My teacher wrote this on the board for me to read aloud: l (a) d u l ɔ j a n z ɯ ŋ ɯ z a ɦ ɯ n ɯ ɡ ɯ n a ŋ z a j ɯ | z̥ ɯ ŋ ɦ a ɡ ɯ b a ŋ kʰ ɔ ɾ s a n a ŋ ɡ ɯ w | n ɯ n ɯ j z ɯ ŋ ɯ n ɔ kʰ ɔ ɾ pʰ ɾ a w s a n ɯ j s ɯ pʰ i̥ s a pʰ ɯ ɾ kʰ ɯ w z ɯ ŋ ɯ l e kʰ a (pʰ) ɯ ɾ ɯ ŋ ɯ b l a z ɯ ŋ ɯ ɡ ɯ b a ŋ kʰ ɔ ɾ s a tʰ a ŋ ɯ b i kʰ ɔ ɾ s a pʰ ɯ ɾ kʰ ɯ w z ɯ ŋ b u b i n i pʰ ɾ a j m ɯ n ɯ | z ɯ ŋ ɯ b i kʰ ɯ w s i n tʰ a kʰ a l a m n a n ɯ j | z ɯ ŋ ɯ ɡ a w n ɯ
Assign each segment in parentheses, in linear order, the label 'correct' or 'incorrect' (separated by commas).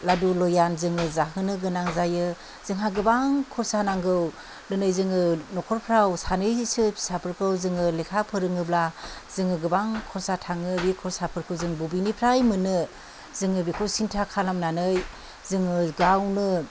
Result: correct, correct